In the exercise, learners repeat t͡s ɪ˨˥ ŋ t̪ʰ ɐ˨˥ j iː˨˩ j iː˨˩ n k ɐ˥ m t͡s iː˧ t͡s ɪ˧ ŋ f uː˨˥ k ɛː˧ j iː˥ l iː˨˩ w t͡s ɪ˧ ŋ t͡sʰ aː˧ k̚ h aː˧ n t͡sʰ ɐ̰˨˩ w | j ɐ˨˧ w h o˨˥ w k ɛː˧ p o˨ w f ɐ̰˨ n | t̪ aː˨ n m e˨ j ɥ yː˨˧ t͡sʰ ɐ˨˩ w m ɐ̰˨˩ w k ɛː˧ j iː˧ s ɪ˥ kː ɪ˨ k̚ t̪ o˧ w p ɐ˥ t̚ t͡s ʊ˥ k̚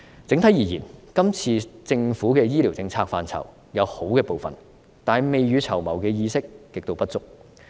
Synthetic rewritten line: t͡s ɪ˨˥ ŋ t̪ʰ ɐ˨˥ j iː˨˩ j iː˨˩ n k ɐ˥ m t͡sʰ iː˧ t͡s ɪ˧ ŋ f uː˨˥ k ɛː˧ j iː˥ l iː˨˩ w t͡s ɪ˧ ŋ t͡sʰ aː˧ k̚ f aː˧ n t͡sʰ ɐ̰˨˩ w | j ɐ˨˧ w h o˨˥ w k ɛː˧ p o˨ w f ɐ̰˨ n | t̪ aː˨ n m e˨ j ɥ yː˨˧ t͡sʰ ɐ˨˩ w m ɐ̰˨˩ w k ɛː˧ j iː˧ s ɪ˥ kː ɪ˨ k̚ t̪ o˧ w p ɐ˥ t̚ t͡s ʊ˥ k̚